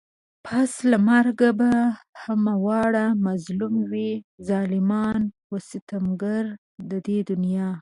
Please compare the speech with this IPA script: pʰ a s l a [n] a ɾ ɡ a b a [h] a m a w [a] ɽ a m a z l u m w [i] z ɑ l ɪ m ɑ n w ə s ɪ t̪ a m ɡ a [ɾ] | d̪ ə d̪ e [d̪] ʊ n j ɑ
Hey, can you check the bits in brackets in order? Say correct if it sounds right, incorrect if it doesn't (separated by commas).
incorrect, correct, incorrect, correct, correct, correct